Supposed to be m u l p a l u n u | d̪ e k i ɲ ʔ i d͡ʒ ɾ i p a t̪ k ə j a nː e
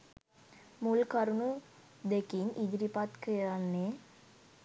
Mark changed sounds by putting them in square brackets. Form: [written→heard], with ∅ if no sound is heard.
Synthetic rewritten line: m u l [p→k] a [l→ɾ] u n u | d̪ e k i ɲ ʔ i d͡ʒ ɾ i p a t̪ k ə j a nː e

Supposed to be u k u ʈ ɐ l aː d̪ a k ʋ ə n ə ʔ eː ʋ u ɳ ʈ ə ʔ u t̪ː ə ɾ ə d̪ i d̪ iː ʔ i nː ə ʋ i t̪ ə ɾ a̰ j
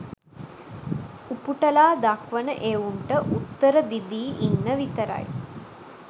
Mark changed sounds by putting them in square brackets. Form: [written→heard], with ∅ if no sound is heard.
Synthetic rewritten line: u [k→p] u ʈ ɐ l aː d̪ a k ʋ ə n ə ʔ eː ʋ u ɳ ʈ ə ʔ u t̪ː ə ɾ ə d̪ i d̪ iː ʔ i nː ə ʋ i t̪ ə ɾ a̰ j

